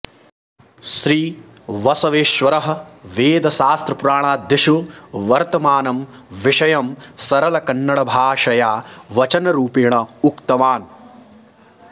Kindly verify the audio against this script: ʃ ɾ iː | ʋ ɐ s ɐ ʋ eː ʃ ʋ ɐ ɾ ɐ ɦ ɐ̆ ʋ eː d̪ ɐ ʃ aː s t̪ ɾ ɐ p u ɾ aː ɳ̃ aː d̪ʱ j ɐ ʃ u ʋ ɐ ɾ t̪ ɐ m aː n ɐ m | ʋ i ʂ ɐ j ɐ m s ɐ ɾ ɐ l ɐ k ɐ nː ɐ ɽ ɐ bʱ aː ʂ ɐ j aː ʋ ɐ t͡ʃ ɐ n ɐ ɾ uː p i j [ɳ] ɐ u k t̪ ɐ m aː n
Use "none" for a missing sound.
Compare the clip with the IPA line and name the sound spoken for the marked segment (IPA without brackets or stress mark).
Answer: ɳ